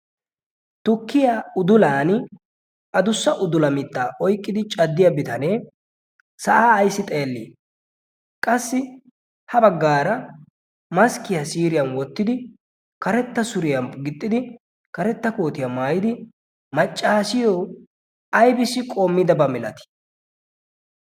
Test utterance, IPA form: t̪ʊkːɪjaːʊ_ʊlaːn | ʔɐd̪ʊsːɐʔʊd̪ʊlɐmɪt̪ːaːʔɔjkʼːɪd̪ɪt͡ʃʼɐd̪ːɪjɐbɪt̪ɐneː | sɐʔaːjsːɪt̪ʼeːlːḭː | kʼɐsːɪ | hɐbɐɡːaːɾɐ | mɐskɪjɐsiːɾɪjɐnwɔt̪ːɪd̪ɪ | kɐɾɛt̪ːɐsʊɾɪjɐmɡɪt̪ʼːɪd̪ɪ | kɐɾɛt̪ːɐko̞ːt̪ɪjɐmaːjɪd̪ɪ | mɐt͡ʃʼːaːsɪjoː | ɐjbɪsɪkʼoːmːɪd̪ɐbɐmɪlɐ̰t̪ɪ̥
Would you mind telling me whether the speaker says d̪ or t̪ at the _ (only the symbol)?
d̪